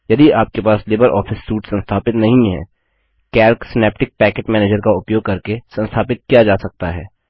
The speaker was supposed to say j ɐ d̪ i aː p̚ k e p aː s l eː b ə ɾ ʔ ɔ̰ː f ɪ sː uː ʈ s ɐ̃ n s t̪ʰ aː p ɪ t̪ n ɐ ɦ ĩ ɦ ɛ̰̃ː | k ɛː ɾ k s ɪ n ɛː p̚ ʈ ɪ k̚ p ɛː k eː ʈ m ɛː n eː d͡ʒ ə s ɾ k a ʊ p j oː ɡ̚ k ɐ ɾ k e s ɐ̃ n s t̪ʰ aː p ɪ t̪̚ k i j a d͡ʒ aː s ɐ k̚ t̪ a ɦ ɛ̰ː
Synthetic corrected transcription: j ɐ d̪ i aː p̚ k e p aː s l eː b ə ɾ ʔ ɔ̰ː f ɪ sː uː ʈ s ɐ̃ n s t̪ʰ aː p ɪ t̪ n ɐ ɦ ĩ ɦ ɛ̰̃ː | k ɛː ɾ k s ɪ n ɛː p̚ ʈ ɪ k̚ p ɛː k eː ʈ m ɛː n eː d͡ʒ ə ɾ k a ʊ p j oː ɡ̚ k ɐ ɾ k e s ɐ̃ n s t̪ʰ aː p ɪ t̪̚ k i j a d͡ʒ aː s ɐ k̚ t̪ a ɦ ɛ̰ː

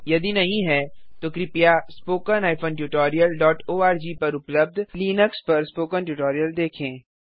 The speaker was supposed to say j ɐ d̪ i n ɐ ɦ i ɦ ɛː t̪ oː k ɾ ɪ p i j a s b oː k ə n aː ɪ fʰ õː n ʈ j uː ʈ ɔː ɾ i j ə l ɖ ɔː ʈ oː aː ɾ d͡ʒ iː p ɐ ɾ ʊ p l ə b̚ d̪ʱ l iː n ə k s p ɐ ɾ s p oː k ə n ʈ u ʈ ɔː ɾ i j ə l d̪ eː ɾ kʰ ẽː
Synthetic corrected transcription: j ɐ d̪ i n ɐ ɦ ĩ ɦ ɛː t̪ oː k ɾ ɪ p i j a s p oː k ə n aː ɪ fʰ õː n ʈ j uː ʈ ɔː ɾ i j ə l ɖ ɔː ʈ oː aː ɾ d͡ʒ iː p ɐ ɾ ʊ p l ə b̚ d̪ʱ l iː n ə k s p ɐ ɾ s p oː k ə n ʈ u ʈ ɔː ɾ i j ə l d̪ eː kʰ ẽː

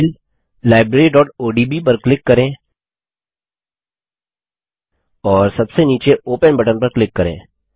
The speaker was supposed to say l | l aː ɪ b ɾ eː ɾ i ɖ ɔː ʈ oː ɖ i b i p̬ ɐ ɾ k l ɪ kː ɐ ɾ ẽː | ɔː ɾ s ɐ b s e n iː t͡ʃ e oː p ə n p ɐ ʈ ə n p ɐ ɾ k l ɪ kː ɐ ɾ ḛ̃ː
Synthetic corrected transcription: l | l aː ɪ b ɾ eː ɾ i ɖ ɔː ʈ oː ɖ i b i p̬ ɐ ɾ k l ɪ kː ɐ ɾ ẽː | ɔː ɾ s ɐ b s e n iː t͡ʃ e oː p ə n b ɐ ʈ ə n p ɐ ɾ k l ɪ kː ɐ ɾ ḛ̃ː

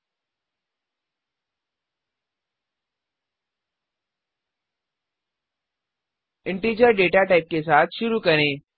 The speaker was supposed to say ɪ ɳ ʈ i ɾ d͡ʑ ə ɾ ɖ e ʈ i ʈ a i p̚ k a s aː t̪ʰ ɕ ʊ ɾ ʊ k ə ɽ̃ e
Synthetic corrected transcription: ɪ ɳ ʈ i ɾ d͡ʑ ə ɾ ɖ e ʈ a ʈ a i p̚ k e s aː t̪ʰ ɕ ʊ ɾ u k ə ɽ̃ e

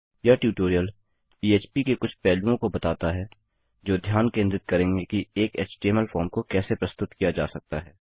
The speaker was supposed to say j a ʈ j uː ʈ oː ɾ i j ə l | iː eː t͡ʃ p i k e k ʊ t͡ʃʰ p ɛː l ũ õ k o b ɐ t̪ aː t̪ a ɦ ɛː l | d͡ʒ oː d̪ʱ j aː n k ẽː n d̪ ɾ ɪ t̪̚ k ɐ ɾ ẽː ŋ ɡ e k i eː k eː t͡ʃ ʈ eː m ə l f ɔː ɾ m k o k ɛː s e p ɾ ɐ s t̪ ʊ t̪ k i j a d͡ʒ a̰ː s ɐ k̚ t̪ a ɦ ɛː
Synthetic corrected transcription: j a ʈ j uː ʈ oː ɾ i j ə l | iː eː t͡ʃ p i k e k ʊ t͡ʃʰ p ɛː l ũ õ k o b ɐ t̪ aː t̪ a ɦ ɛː | d͡ʒ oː d̪ʱ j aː n k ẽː n d̪ ɾ ɪ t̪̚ k ɐ ɾ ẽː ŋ ɡ e k i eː k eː t͡ʃ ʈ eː m ə l f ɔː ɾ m k o k ɛː s e p ɾ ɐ s t̪ ʊ t̪ k i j a d͡ʒ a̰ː s ɐ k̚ t̪ a ɦ ɛː

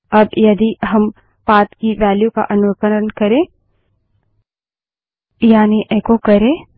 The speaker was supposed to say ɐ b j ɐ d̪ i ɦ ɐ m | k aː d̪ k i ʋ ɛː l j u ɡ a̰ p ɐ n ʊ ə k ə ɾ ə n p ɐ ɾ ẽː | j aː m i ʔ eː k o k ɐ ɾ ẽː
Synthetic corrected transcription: ɐ b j ɐ d̪ i ɦ ɐ m | p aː t̪ k i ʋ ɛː l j u k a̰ ʔ ɐ n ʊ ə k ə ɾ ə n k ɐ ɾ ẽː | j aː n i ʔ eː k o k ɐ ɾ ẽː

